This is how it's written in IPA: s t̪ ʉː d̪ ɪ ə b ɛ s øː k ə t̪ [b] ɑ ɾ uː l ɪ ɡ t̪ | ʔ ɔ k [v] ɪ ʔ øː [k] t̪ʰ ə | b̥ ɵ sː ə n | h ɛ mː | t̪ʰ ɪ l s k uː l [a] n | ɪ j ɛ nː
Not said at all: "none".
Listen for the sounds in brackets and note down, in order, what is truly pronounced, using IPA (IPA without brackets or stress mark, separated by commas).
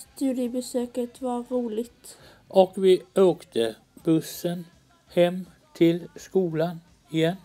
v, v, k, a